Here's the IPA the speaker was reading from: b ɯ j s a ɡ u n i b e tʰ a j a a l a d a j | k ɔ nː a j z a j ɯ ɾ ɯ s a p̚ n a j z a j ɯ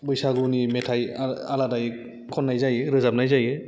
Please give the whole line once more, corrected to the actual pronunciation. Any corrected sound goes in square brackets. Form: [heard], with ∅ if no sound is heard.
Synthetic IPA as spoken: b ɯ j s a ɡ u n i [m] e tʰ a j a a l a d a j | [kʰ] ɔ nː a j z a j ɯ ɾ ɯ [z] a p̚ n a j z a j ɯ